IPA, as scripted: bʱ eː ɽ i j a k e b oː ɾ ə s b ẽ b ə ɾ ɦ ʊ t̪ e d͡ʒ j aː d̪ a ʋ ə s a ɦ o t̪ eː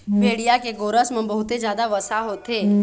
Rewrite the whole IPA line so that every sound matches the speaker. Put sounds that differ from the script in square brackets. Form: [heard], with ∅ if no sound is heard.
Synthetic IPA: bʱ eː ɽ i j a k e [ɡ] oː ɾ ə s [m] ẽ b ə [∅] ɦ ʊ t̪ e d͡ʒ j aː d̪ a ʋ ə s a ɦ o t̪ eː